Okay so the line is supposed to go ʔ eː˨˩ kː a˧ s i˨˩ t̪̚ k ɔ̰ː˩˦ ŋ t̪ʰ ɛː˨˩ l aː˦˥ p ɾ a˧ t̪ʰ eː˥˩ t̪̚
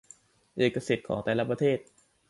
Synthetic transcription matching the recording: ʔ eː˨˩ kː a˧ s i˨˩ t̪̚ kʰ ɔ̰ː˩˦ ŋ t̪ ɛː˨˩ l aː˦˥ p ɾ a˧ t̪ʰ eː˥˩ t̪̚